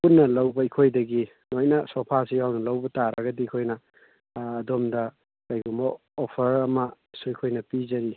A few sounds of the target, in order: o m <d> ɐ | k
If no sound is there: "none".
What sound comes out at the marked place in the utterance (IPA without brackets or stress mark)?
d